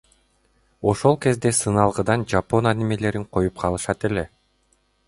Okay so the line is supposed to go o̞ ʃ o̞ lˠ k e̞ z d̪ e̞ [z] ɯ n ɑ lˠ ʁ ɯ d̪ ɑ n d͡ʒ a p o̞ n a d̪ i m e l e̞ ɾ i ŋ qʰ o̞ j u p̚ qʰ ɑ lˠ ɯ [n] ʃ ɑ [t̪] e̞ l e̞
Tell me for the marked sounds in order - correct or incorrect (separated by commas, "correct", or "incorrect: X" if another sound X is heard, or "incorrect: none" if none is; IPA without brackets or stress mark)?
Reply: incorrect: s, incorrect: none, correct